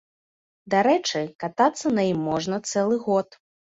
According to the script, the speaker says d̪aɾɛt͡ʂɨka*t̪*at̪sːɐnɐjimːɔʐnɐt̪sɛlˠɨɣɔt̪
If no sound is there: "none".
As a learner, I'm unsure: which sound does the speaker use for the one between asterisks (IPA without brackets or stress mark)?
t̪